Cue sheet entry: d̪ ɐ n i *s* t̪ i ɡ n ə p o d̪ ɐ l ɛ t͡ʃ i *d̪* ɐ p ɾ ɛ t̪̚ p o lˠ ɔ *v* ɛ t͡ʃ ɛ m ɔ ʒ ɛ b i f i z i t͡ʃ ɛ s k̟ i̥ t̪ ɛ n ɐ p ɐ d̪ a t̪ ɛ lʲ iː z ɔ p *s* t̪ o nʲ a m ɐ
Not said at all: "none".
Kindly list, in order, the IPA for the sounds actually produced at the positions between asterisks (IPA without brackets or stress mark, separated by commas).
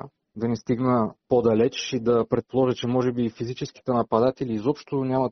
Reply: s, d̪, ʒ, ʃ